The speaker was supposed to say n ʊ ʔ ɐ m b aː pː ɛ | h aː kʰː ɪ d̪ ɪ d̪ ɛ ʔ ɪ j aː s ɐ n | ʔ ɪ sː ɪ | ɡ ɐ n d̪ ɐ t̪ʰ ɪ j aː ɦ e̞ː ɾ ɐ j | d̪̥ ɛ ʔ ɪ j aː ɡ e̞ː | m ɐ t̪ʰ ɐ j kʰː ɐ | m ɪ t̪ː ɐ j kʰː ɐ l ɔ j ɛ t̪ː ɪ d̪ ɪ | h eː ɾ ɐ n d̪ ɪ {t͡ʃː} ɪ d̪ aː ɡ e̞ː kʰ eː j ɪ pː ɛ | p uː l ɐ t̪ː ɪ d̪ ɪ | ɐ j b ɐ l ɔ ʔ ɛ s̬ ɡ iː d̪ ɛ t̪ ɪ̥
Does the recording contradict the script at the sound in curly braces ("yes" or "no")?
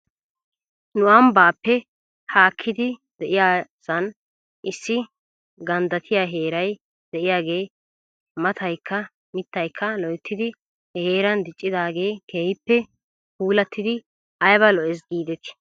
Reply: yes